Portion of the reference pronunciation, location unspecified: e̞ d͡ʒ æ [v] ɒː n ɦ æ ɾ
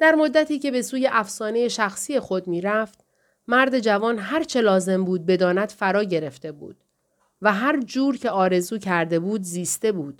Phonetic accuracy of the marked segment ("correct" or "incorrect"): correct